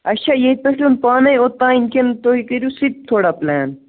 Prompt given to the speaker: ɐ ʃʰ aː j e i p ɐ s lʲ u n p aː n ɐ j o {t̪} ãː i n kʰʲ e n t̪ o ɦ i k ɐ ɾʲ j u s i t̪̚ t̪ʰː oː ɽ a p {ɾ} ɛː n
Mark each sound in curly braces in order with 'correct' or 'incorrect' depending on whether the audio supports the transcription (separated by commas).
correct, incorrect